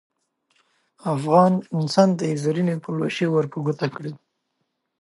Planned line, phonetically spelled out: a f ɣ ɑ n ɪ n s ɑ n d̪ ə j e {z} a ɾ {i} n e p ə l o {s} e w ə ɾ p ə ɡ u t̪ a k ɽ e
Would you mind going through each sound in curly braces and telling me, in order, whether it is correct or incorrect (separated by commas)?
correct, correct, incorrect